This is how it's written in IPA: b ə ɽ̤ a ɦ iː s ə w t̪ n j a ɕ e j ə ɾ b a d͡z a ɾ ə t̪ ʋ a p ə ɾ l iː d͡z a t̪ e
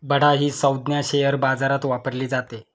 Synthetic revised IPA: b ə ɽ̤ a ɦ iː s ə w d̪ n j a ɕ e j ə ɾ b a d͡z a ɾ a t̪ ʋ a p ə ɾ l iː d͡z a t̪ e